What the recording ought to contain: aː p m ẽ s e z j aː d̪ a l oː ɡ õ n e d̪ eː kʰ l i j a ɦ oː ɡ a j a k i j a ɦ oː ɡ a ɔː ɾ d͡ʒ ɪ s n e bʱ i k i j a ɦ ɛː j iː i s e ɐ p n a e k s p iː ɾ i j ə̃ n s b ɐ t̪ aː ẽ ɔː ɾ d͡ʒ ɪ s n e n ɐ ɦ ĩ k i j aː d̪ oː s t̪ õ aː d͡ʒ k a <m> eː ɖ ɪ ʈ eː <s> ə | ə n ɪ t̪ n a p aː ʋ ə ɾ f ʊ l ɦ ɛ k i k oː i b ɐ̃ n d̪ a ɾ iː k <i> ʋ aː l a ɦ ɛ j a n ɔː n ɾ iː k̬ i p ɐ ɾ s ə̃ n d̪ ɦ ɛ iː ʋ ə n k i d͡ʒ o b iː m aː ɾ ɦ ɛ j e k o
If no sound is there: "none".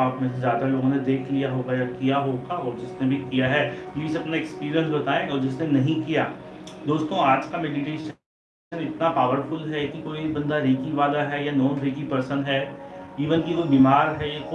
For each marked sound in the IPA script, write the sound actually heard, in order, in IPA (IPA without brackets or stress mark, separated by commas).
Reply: m, ʃ, i